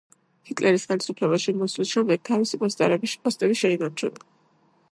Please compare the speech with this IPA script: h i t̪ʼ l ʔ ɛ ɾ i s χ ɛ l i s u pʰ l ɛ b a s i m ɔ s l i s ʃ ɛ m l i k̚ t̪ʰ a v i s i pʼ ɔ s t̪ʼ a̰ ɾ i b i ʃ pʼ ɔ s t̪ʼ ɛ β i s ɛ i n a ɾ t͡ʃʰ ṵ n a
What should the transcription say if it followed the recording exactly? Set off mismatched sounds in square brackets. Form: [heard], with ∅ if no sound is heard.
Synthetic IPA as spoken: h i t̪ʼ l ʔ ɛ ɾ i s χ ɛ l i s u pʰ l ɛ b a [ʃ] i m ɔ s l i s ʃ ɛ m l [ɛ] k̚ t̪ʰ a v i s i pʼ ɔ s t̪ʼ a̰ ɾ [ɛ] b i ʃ pʼ ɔ s t̪ʼ ɛ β i [ʃ] ɛ i n a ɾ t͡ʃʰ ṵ n a